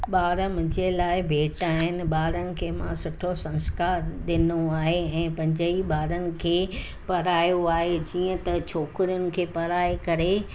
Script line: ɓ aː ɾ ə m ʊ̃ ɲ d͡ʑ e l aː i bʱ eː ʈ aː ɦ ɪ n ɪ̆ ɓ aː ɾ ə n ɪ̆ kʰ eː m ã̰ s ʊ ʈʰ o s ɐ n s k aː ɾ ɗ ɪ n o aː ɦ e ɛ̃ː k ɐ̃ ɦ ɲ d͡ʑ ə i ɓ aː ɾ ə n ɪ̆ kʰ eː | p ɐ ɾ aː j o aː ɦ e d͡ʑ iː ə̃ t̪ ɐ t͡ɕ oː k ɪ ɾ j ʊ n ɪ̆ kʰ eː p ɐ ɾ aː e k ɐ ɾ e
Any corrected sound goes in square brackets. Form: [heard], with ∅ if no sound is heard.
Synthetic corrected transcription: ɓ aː ɾ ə m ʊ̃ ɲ d͡ʑ e l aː [ɪ] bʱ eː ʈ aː ɦ ɪ n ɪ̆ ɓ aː ɾ ə n ɪ̆ kʰ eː m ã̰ s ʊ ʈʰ o s [ɐ̃] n s k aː ɾ ɗ ɪ n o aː ɦ e ɛ̃ː [p] ɐ̃ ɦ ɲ d͡ʑ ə i ɓ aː ɾ ə n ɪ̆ kʰ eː | p ɐ ɾ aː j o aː ɦ e d͡ʑ iː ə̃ t̪ ɐ [t͡ɕʰ] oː k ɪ ɾ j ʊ n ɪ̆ kʰ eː p ɐ ɾ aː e k ɐ ɾ e